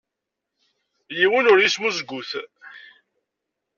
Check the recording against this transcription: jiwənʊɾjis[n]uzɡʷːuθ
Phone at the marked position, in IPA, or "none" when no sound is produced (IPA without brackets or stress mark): m